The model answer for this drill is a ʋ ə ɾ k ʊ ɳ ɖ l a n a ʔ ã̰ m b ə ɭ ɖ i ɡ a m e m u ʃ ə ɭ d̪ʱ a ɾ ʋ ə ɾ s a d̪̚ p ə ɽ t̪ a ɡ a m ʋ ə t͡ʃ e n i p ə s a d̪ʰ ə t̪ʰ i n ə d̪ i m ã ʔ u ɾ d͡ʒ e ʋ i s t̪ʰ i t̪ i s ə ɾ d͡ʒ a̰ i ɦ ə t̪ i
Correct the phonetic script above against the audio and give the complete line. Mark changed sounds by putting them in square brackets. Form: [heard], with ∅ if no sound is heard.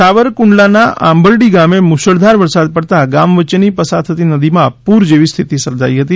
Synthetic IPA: a ʋ ə ɾ k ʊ ɳ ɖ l a n a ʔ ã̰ m b ə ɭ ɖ i ɡ a m e m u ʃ ə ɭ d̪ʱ a ɾ ʋ ə ɾ s a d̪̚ p ə ɽ t̪ a ɡ a m ʋ ə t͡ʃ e n i p ə s a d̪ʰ ə [t̪] i n ə d̪ i m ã [p] u ɾ d͡ʒ e ʋ i s t̪ʰ i t̪ i s ə ɾ d͡ʒ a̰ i ɦ ə t̪ i